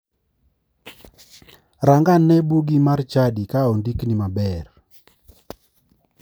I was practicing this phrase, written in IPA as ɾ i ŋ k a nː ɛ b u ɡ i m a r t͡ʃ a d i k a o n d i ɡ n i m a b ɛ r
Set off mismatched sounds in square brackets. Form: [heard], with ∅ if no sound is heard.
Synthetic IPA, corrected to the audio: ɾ [a] ŋ [ɡ] a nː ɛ b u ɡ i m a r t͡ʃ a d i k a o n d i [k] n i m a b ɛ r